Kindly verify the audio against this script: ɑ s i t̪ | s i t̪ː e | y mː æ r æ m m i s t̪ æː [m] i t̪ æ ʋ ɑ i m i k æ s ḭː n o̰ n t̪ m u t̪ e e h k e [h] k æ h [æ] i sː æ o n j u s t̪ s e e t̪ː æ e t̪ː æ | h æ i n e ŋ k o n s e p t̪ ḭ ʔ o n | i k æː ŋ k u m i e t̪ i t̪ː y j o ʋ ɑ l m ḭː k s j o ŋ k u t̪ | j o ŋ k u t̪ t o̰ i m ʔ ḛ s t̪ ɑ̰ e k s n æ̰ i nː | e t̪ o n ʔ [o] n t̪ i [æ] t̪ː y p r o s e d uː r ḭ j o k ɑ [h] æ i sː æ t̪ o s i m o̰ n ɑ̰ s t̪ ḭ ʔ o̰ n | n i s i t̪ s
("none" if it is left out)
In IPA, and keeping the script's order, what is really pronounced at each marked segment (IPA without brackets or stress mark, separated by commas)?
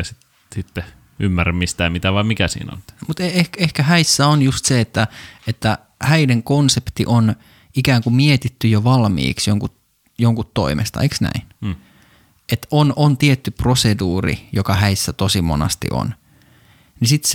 m, h, æ, o, e, h